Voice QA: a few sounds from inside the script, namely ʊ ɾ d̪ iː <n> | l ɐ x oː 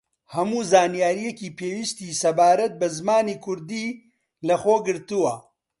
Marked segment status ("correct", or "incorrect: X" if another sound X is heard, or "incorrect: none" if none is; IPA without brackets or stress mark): incorrect: none